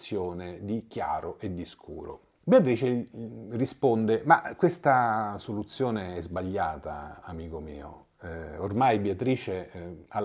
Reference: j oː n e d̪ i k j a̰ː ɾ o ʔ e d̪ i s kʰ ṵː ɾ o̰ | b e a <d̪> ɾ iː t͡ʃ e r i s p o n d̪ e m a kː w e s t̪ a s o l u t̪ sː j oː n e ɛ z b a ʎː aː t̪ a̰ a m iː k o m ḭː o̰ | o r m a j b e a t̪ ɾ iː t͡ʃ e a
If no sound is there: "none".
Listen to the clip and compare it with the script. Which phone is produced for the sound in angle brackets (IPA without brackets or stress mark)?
t̪